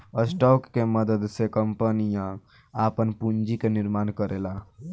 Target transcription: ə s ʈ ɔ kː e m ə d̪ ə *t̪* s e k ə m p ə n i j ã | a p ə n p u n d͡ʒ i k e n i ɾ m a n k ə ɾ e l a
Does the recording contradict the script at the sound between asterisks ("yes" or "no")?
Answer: yes